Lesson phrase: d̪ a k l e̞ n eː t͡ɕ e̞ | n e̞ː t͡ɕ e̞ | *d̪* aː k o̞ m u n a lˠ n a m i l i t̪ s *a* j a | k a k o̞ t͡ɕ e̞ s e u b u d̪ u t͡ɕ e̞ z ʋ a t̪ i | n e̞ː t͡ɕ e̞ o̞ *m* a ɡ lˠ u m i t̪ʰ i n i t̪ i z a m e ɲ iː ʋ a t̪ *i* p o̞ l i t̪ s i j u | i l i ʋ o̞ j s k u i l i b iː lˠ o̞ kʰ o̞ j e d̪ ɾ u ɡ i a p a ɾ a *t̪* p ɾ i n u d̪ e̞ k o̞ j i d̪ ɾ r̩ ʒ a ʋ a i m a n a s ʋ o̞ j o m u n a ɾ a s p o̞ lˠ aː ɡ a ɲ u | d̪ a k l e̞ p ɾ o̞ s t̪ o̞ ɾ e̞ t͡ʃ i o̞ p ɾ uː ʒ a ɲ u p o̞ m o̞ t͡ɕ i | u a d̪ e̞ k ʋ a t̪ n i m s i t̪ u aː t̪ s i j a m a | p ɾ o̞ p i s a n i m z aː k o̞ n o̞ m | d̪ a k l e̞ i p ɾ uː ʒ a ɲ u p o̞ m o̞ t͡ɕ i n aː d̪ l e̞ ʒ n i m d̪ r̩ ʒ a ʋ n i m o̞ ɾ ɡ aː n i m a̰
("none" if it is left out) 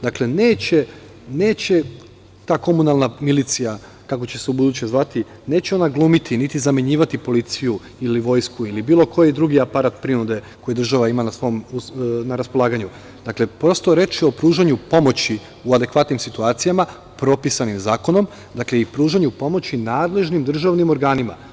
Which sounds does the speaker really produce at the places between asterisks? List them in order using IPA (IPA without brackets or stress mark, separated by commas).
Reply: t̪, i, n, i, t̪